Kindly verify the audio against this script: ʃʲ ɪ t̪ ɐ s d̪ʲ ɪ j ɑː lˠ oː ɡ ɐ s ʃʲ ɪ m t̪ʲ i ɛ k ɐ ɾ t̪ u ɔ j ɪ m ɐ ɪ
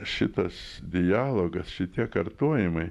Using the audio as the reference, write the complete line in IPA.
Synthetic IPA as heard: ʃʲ ɪ t̪ ɐ s d̪ʲ ɪ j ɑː lˠ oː ɡ ɐ s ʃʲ ɪ t̪ʲ i ɛ k ɐ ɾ t̪ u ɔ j ɪ m ɐ ɪ

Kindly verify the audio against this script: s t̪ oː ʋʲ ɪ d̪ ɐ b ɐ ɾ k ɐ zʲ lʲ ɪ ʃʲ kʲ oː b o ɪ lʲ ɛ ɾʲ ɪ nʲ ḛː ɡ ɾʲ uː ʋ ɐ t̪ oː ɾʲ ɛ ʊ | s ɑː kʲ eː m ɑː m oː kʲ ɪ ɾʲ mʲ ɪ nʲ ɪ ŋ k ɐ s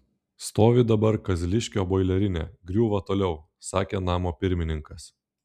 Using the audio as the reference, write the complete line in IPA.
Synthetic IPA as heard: s t̪ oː ʋʲ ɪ d̪ ɐ b ɐ ɾ k ɐ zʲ lʲ ɪ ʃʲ kʲ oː b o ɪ lʲ ɛ ɾʲ ɪ nʲ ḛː ɡ ɾʲ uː ʋ ɐ t̪ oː lʲ ɛ ʊ | s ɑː kʲ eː n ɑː m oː pʲ ɪ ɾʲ mʲ ɪ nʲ ɪ ŋ k ɐ s

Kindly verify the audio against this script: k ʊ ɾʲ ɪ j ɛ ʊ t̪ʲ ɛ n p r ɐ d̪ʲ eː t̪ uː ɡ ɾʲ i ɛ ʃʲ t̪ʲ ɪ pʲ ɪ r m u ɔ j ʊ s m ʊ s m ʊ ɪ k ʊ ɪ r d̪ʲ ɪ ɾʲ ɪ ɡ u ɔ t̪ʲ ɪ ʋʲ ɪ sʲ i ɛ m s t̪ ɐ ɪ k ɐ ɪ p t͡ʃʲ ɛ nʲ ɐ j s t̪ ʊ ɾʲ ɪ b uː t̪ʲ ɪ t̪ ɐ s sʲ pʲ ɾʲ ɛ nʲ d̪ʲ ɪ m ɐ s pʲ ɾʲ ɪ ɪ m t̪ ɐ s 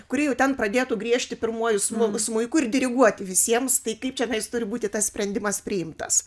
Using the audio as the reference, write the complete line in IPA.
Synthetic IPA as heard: k ʊ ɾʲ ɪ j ɛ ʊ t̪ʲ ɛ n p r ɐ d̪ʲ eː t̪ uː ɡ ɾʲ i ɛ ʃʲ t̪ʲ ɪ pʲ ɪ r m u ɔ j ʊ s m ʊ s m ʊ ɪ k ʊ ɪ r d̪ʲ ɪ ɾʲ ɪ ɡ u ɔ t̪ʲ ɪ ʋʲ ɪ sʲ i ɛ m s t̪ ɐ ɪ k ɐ ɪ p t͡ʃʲ ɛ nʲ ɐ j s t̪ ʊ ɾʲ ɪ b uː t̪ʲ ɪ t̪ ɐ s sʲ pʲ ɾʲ ɛ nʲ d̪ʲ ɪ m ɐ s pʲ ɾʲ ɪ ɪ m t̪ ɐ s

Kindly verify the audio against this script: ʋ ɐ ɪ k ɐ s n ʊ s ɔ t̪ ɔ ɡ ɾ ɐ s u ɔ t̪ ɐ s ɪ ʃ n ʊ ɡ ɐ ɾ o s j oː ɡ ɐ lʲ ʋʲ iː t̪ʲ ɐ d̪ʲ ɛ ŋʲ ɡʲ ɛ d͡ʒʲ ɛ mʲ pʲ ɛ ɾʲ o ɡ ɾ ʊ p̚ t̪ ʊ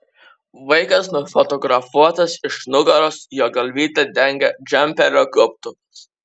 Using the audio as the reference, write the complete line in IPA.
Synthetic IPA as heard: ʋ ɐ ɪ k ɐ s n ʊ f ɔ t̪ ɔ ɡ ɾ ɐ f u ɔ t̪ ɐ s ɪ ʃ n ʊ ɡ ɐ ɾ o s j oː ɡ ɐ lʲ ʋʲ iː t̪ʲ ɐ d̪ʲ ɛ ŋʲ ɡʲ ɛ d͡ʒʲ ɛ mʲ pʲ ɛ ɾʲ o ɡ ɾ ʊ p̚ t̪ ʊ

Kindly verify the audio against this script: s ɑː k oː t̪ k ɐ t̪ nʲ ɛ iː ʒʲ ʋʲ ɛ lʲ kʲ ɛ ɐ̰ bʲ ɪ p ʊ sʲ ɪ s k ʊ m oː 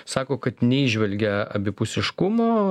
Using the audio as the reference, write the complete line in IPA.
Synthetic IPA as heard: s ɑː k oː k ɐ t̪ nʲ ɛ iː ʒʲ ʋʲ ɛ lʲ ɡʲ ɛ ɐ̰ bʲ ɪ p ʊ sʲ ɪ ʃ k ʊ m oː

